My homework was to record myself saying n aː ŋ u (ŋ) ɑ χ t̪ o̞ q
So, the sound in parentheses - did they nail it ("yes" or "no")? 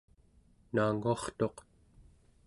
no